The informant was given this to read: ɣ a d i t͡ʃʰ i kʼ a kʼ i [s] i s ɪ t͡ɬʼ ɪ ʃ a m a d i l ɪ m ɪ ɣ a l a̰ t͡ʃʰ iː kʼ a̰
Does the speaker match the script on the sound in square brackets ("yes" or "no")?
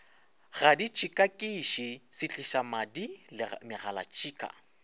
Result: no